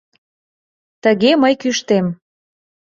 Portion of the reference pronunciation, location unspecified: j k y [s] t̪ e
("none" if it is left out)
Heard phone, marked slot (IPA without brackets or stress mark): ʃ